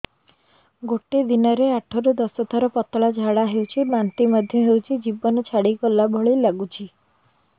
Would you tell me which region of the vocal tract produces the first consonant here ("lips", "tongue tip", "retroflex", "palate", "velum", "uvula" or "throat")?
velum